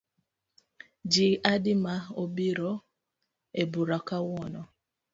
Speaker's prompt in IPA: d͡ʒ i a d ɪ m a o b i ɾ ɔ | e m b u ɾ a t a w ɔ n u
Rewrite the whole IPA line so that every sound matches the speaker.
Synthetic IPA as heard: d͡ʒ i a d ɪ m a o b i ɾ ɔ | e b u ɾ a k a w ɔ n ɔ